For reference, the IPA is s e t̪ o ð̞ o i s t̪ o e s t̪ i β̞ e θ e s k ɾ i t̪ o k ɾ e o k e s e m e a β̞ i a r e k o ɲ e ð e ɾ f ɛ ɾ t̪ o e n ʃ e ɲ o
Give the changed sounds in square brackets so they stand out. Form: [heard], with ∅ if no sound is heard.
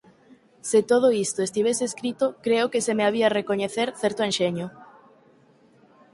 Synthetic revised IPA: s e t̪ o ð̞ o i s t̪ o e s t̪ i β̞ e [s] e s k ɾ i t̪ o k ɾ e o k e s e m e a β̞ i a r e k o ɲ e [θ] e ɾ [θ] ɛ ɾ t̪ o e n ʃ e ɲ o